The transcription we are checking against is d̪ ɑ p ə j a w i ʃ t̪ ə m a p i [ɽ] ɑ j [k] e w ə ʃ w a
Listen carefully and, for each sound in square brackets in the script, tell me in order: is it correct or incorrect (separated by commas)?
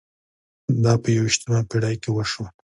correct, correct